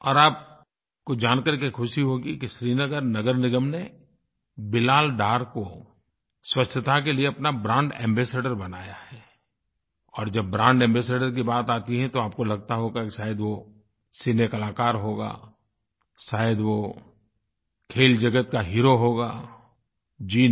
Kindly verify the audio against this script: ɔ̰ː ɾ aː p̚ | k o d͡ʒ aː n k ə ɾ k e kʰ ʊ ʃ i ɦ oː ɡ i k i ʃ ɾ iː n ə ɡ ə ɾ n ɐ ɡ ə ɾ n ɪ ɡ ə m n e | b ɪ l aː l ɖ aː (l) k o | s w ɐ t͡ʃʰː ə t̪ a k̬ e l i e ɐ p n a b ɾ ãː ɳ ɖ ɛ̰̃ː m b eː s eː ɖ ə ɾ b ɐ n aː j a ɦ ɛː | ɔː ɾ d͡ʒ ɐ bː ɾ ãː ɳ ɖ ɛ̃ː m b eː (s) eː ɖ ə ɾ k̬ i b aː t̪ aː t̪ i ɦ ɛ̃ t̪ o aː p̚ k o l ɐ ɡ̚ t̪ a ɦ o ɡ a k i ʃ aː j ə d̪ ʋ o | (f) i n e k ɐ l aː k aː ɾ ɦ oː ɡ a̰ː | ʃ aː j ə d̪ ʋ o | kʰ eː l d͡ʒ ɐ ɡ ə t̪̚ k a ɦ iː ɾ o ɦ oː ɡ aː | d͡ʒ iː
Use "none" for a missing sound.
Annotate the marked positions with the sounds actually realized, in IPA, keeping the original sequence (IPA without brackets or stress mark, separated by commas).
ɾ, s, s